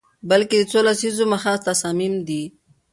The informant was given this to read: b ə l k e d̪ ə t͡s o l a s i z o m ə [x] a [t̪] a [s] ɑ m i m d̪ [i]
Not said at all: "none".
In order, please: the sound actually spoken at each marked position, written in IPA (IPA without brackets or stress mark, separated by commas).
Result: x, t̪, s, i